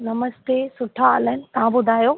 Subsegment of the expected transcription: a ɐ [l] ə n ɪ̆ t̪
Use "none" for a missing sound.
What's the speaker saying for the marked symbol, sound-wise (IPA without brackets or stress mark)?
l